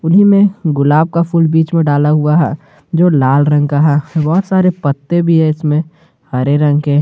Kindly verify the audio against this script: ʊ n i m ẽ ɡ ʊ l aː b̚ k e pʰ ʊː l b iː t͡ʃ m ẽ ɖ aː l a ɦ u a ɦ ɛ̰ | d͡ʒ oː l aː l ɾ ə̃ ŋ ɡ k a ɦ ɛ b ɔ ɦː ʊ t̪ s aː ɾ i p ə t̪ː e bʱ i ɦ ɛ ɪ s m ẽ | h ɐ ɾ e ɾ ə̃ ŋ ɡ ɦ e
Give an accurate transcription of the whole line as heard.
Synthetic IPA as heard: ʊ n i m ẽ ɡ ʊ l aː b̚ k a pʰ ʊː l b iː t͡ʃ m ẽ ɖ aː l a ɦ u a ɦ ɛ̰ | d͡ʒ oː l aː l ɾ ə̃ ŋ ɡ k a ɦ ɛ b ɔ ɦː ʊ t̪ s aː ɾ e p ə t̪ː e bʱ i ɦ ɛ ɪ s m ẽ | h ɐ ɾ e ɾ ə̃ ŋ ɡ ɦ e